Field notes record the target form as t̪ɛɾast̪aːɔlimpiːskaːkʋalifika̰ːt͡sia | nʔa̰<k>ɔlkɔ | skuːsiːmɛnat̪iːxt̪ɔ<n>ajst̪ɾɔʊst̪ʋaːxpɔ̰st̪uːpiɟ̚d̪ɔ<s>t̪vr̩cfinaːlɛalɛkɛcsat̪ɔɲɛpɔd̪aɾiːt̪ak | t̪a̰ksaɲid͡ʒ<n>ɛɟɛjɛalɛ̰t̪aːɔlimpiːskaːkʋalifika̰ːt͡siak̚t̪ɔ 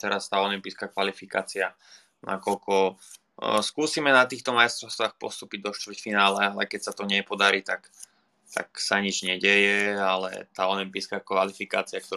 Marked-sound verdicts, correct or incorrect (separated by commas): correct, incorrect, incorrect, incorrect